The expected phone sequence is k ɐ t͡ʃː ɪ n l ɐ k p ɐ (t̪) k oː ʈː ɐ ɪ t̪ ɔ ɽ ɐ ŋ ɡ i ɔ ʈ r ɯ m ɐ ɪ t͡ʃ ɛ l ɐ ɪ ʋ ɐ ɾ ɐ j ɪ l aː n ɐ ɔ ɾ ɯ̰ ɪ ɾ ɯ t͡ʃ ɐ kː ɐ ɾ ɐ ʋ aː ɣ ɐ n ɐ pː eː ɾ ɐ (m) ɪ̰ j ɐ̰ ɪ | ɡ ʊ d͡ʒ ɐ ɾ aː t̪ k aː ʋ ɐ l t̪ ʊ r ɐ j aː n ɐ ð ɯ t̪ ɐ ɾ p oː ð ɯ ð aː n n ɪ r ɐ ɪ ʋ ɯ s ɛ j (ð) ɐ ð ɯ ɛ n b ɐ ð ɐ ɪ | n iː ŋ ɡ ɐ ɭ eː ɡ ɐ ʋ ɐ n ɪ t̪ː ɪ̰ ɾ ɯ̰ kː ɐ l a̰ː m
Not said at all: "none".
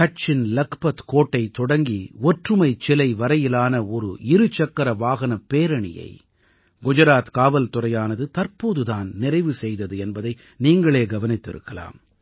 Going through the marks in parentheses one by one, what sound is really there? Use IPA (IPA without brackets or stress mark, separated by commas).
t̪, ɳ, ð